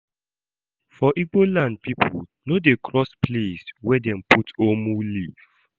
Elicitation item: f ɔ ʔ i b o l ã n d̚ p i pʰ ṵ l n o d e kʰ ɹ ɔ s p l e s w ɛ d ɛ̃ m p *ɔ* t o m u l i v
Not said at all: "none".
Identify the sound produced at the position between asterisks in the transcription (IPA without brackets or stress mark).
u